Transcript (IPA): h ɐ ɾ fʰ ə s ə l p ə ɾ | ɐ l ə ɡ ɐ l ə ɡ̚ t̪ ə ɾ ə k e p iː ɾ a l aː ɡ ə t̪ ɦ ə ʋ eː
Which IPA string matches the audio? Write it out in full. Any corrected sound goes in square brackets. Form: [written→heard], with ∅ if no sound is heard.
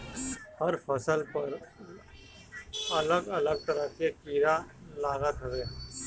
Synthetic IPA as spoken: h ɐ ɾ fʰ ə s ə l p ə ɾ | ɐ l ə ɡ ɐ l ə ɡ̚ t̪ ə ɾ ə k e [p→k] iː ɾ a l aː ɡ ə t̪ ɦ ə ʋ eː